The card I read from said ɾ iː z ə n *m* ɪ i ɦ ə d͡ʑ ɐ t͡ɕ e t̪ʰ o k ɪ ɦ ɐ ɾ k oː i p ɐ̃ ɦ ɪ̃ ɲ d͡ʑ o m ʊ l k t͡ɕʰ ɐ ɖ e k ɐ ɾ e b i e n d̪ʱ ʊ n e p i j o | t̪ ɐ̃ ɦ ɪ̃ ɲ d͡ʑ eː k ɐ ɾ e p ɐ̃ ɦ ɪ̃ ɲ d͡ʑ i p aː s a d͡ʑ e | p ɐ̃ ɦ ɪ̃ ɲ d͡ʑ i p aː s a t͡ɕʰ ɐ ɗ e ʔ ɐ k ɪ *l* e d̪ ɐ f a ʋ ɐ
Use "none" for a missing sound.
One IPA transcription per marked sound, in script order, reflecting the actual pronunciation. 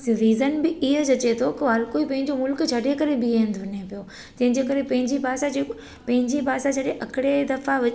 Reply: b, ɽ

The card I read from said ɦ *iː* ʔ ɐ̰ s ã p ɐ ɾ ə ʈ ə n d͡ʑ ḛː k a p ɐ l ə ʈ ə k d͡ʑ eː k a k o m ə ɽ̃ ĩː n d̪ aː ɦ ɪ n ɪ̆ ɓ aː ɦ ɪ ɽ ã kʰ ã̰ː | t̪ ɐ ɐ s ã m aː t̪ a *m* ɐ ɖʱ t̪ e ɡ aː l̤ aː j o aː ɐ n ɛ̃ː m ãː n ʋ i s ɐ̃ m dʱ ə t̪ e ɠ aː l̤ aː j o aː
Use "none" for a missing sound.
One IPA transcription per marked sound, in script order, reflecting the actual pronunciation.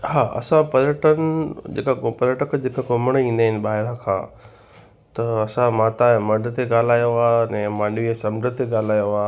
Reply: aː, m

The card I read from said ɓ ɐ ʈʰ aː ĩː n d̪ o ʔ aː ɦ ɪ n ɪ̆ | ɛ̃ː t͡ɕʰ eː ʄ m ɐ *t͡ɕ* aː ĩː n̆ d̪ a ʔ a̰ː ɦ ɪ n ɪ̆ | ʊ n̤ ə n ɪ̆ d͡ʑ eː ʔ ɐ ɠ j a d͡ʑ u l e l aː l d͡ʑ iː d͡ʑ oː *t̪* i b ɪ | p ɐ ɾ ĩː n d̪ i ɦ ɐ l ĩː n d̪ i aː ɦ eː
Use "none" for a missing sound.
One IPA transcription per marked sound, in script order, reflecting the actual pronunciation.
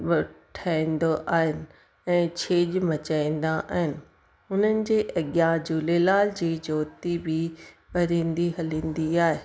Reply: t͡ɕ, t̪

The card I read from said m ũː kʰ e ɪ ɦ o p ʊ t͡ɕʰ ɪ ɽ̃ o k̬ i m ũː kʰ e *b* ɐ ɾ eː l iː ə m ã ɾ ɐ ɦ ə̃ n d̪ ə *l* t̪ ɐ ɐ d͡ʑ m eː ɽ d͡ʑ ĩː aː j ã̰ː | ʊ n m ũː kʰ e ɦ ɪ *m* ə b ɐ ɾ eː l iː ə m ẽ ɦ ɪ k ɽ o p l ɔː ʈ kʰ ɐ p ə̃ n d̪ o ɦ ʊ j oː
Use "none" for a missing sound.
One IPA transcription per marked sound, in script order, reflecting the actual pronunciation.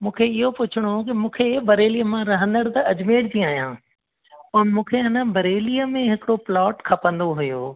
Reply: b, ɽ, n

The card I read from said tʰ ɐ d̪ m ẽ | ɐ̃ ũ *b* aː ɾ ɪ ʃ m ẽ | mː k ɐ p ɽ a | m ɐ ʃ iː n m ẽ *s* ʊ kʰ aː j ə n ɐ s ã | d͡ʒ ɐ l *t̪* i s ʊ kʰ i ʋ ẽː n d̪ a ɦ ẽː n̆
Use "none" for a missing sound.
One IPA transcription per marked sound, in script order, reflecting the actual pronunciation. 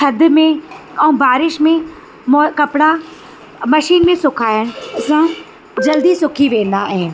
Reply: b, s, d̪

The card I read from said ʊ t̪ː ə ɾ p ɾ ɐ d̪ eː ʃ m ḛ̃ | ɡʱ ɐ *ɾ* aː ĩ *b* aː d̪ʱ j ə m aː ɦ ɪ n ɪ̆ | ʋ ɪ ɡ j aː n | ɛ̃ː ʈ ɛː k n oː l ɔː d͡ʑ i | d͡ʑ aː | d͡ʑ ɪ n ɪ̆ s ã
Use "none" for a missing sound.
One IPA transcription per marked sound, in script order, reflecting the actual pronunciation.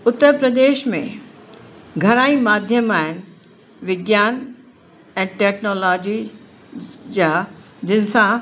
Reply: ɾ, m

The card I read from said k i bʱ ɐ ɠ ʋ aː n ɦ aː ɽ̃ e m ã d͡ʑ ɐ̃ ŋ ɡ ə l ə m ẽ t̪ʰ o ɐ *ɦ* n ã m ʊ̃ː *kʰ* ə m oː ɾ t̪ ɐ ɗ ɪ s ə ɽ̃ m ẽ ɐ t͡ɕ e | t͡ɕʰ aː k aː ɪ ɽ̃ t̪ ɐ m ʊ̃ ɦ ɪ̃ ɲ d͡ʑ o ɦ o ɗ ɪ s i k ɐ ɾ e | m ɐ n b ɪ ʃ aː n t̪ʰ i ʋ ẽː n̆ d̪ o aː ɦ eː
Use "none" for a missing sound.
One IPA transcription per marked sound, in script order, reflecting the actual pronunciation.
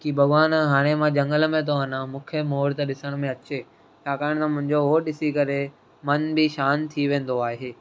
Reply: none, kʰ

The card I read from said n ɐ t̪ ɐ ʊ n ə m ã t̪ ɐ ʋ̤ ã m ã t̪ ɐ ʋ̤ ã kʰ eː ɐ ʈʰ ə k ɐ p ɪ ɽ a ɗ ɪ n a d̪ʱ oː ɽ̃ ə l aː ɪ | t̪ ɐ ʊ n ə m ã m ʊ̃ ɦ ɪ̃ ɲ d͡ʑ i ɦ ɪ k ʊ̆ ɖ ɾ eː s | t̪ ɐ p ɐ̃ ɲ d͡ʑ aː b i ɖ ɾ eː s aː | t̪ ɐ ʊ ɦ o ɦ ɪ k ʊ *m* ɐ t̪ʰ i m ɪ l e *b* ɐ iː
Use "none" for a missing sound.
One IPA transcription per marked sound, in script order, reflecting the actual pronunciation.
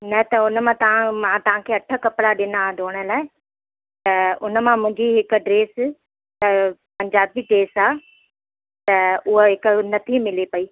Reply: n, p

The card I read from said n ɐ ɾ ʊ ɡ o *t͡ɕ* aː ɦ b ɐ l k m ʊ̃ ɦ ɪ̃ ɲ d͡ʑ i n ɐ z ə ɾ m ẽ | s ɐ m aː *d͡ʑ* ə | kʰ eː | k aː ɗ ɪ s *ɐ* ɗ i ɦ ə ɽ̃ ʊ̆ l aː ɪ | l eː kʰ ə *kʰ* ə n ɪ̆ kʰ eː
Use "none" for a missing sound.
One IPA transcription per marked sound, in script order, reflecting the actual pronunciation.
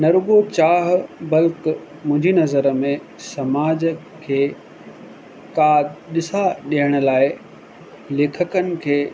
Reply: t͡ɕ, d͡ʑ, a, k

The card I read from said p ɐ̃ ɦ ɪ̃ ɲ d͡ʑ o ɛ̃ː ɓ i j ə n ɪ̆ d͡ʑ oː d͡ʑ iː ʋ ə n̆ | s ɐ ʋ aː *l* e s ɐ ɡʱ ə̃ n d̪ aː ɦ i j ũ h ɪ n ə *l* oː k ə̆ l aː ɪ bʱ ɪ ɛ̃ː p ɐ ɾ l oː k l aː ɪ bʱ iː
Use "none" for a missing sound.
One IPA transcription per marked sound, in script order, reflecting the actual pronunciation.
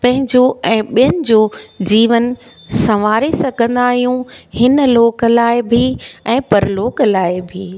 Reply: ɾ, l

